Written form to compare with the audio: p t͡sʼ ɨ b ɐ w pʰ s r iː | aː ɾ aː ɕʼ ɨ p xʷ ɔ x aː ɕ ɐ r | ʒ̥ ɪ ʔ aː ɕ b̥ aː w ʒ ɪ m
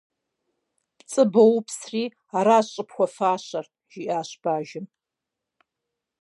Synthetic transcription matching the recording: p t͡sʼ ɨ b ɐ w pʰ s r iː | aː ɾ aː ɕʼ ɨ p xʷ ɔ f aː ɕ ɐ r | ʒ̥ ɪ ʔ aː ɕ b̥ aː ʒ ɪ m